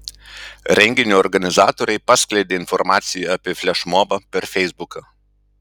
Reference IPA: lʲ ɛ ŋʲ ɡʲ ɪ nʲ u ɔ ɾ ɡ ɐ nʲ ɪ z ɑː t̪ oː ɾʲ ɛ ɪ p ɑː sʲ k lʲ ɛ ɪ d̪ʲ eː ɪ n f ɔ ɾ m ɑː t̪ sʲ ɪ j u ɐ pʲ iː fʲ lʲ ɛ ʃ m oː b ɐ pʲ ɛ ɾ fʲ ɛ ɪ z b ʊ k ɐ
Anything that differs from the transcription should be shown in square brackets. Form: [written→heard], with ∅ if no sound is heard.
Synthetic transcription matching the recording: [lʲ→ɾʲ] ɛ ŋʲ ɡʲ ɪ nʲ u ɔ ɾ ɡ ɐ nʲ ɪ z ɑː t̪ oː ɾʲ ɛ ɪ p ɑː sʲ k lʲ ɛ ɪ d̪ʲ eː ɪ n f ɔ ɾ m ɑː t̪ sʲ ɪ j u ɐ pʲ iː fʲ lʲ ɛ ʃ m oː b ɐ pʲ ɛ ɾ fʲ ɛ ɪ z b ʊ k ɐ